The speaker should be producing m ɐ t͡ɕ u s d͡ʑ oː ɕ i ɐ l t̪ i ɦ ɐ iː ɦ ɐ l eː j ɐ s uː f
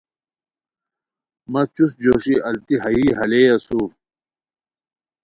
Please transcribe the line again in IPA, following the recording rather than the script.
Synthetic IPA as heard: m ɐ t͡ɕ u s d͡ʑ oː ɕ i ɐ l t̪ i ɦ ɐ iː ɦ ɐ l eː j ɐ s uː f